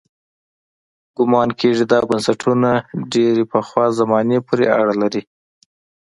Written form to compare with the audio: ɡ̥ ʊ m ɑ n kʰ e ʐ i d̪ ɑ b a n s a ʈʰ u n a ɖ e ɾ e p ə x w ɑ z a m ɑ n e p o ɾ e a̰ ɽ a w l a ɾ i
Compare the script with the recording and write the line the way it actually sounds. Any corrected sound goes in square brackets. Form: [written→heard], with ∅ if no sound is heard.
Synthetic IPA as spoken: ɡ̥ ʊ m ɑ n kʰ e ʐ i d̪ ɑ b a n s a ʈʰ u n a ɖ e ɾ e p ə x w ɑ z a m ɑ n e p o ɾ e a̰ ɽ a [w→∅] l a ɾ i